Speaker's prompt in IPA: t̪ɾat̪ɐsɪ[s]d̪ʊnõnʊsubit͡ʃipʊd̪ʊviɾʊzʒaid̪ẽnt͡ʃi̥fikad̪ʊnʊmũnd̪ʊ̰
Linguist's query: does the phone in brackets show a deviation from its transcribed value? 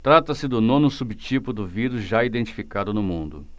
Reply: yes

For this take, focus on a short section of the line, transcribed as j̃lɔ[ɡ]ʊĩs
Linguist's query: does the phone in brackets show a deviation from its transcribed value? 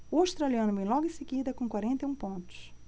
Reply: no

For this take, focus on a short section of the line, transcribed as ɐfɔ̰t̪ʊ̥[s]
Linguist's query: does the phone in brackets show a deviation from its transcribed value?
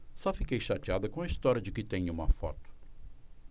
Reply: yes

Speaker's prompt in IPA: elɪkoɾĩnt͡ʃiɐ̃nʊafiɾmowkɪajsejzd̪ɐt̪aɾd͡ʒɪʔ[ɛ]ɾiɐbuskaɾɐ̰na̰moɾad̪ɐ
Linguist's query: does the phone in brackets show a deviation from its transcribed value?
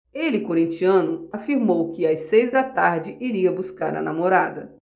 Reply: yes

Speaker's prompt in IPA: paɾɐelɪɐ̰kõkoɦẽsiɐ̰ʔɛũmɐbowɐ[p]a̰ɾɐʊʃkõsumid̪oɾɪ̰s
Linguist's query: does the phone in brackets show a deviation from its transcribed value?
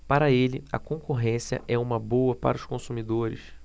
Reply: no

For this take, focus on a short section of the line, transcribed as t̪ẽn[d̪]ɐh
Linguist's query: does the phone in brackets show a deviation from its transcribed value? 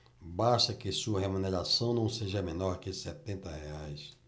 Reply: yes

